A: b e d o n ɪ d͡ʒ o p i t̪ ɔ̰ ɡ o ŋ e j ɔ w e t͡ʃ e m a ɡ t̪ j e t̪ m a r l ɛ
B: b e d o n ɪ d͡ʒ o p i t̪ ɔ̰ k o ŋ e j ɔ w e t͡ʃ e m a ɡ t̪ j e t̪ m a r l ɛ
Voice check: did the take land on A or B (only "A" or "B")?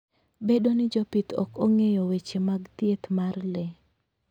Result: B